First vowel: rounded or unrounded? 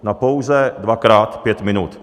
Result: unrounded